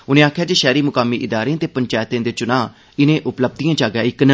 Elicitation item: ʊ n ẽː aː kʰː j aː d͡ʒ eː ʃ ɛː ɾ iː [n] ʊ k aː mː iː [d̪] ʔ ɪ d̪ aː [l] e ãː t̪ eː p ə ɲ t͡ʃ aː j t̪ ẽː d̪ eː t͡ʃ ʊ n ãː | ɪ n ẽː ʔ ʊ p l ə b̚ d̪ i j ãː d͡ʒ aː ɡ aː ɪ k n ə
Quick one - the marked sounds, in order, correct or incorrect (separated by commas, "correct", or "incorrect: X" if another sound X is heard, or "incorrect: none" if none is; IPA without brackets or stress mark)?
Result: incorrect: m, incorrect: none, incorrect: ɾ